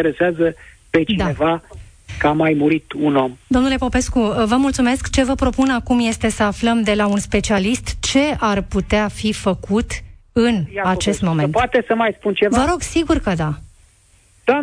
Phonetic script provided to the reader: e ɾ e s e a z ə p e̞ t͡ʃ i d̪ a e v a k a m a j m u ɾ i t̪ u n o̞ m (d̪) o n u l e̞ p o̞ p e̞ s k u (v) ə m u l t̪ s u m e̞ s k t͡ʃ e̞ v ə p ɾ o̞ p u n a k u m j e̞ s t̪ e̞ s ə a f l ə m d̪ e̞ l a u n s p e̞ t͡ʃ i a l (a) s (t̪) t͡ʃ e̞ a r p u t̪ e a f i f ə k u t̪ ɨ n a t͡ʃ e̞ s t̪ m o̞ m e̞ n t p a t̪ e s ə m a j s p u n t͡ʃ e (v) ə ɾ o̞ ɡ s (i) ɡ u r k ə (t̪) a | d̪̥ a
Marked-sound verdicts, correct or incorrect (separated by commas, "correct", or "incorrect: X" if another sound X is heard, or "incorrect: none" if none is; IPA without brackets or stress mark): correct, correct, incorrect: i, correct, correct, correct, incorrect: d̪